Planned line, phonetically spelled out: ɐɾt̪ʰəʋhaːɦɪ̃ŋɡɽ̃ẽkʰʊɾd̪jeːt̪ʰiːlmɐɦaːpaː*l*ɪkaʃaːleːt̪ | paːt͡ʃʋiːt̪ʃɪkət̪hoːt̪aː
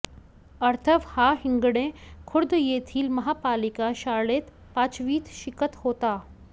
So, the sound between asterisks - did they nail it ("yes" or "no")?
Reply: yes